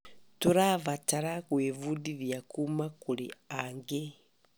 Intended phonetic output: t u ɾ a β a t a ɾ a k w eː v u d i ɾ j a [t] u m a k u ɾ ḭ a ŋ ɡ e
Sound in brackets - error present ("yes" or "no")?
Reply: yes